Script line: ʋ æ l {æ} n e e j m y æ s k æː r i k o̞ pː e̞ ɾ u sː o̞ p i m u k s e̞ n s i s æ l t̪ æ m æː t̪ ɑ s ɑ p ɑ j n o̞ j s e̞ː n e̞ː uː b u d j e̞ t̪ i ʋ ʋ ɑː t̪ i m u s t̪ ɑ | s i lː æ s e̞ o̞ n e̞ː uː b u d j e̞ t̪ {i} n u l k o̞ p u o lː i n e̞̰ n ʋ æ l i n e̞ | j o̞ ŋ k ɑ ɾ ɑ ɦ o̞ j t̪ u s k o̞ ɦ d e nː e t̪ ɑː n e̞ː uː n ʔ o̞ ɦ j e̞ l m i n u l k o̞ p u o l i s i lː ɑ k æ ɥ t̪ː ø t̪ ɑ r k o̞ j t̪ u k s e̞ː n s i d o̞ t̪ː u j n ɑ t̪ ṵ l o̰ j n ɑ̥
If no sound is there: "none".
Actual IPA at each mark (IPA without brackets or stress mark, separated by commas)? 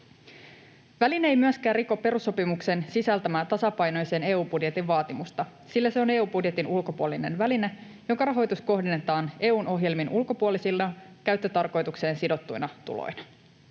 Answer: i, i